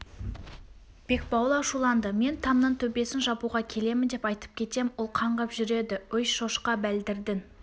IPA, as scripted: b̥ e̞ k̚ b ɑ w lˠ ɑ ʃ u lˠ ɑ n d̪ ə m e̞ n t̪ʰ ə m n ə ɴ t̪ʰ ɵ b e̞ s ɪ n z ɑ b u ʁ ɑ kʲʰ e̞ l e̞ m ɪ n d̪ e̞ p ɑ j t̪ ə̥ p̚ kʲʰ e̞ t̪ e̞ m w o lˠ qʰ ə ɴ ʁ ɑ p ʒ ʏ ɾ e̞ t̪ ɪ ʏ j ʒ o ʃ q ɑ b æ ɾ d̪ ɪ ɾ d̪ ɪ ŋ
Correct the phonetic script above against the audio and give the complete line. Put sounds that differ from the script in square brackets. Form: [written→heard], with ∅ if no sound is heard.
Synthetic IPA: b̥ e̞ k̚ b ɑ w lˠ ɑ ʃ u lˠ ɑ n d̪ ə m e̞ n t̪ʰ [ə→ɑ] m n ə ɴ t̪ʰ ɵ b e̞ s ɪ n [z→ʒ] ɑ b u ʁ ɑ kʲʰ e̞ l e̞ m ɪ n d̪ e̞ p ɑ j t̪ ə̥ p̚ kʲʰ e̞ t̪ e̞ m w o lˠ qʰ [ə→ɑ] ɴ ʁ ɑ p ʒ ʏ ɾ e̞ [t̪→d̪] ɪ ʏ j [ʒ→ʃ] o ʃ q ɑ b æ [ɾ→l] d̪ ɪ ɾ d̪ ɪ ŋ